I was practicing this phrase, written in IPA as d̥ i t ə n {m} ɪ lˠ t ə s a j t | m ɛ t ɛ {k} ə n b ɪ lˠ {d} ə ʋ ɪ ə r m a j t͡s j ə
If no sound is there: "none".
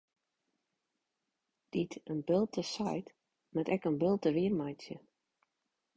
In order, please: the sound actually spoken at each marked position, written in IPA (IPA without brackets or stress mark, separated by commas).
b, k, t